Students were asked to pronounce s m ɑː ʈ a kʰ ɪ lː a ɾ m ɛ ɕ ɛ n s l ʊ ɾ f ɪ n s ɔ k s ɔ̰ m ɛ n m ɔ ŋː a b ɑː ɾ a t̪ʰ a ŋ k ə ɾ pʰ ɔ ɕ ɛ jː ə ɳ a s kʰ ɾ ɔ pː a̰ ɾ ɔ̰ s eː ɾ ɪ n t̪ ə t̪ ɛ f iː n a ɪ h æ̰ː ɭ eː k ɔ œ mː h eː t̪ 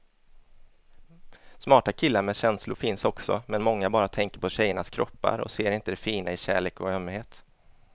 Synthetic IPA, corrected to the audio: s m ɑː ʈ a kʰ ɪ lː a ɾ m ɛ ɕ ɛ n s l ʊ ɾ f ɪ n s ɔ k s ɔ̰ m ɛ n m ɔ ŋː a b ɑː ɾ a t̪ʰ ɛ ŋ k ə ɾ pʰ ɔ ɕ ɛ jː ə ɳ a s kʰ ɾ ɔ pː a̰ ɾ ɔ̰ s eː ɾ ɪ n t̪ ə d̪ ɛ f iː n a ɪ ɕ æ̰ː ɭ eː k ɔ œ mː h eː t̪

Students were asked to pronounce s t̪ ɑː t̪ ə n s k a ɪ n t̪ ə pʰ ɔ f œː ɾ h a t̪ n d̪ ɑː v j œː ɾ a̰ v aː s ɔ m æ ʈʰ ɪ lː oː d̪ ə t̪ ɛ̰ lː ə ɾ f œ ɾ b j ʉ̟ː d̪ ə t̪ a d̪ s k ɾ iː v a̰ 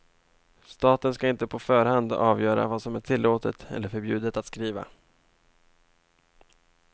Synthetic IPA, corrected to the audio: s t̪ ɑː t̪ ə n s k a ɪ n t̪ ə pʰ ɔ f œː ɾ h a n d̪ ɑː v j œː ɾ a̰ v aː s ɔ m æ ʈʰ ɪ lː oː t̪ ə t̪ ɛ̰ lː ə ɾ f œ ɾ b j ʉ̟ː d̪ ə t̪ a t̪ s k ɾ iː v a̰

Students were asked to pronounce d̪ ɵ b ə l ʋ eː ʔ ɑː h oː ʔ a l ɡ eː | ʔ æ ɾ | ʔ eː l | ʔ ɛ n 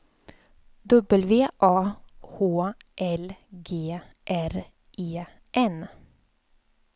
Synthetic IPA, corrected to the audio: d̪ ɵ b ə l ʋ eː ʔ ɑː h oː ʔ ɛ l ɡ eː | ʔ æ ɾ | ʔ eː | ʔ ɛ n

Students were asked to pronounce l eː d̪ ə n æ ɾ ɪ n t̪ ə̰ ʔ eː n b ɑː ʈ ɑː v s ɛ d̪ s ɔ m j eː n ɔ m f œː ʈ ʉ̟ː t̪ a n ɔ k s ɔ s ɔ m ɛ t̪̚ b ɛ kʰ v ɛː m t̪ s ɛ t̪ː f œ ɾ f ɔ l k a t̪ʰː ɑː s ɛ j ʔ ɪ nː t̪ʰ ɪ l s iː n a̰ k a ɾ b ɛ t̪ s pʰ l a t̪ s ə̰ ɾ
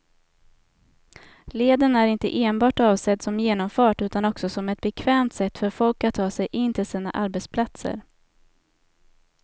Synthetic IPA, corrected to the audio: l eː d̪ ə n æ ɾ ɪ n t̪ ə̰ ʔ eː n b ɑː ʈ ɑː v s ɛ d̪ s ɔ m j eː n ɔ m f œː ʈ ʉ̟ː t̪ a n ɔ k s ɔ s ɔ m ɛ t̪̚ b ɛ kʰ v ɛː m t̪ s ɛ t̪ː f œ ɾ f ɔ l k a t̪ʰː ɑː s ɛ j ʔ ɪ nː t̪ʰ ɪ l s iː n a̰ ʔ a ɾ b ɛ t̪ s pʰ l a t̪ s ə̰ ɾ

